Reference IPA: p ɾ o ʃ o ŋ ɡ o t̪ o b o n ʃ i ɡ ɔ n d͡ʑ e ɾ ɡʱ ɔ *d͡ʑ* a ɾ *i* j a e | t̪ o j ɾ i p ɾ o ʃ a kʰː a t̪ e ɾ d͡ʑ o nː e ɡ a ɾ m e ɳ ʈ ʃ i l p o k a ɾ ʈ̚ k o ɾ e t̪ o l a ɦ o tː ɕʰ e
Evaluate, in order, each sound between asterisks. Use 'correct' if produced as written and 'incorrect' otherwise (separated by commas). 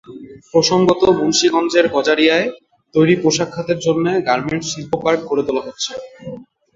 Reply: correct, correct